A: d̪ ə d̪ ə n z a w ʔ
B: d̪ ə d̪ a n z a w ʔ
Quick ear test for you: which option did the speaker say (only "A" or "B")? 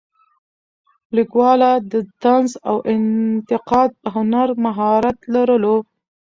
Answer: B